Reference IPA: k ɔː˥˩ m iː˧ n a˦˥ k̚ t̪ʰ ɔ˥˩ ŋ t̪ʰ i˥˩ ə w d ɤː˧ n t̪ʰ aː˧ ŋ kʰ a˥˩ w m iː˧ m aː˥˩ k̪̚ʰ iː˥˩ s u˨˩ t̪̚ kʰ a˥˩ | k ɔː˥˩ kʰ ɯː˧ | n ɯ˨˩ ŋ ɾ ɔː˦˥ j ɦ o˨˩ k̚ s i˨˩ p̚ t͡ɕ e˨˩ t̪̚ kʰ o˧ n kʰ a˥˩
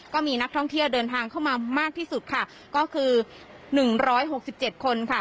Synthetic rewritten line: k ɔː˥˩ m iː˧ n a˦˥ k̚ t̪ʰ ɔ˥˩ ŋ t̪ʰ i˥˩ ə w d ɤː˧ n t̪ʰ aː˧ ŋ kʰ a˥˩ w m aː˧ m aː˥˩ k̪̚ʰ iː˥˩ s u˨˩ t̪̚ kʰ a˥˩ | k ɔː˥˩ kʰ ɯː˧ | n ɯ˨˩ ŋ ɾ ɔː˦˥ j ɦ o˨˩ k̚ s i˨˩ p̚ t͡ɕ e˨˩ t̪̚ kʰ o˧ n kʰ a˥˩